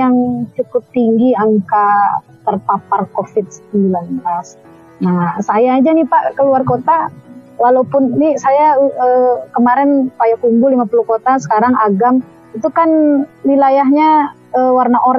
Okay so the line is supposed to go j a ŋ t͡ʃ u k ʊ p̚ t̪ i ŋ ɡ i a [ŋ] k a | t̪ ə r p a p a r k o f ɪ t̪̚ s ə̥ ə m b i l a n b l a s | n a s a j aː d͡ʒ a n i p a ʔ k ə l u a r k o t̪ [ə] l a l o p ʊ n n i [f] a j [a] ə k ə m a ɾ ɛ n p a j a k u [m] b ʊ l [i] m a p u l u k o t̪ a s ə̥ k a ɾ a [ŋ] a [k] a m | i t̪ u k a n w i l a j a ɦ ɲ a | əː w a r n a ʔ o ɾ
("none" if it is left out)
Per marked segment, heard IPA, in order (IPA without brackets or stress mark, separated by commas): ŋ, a, s, a, m, i, ŋ, ɡ